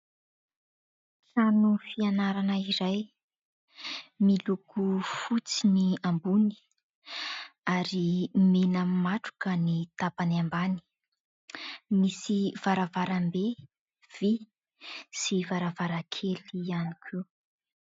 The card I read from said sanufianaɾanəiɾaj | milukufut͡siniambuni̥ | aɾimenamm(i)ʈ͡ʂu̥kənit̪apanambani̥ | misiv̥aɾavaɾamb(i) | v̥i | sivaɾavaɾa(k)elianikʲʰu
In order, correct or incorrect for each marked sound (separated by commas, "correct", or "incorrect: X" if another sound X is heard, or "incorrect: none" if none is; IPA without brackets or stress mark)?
incorrect: a, incorrect: e, incorrect: kʰ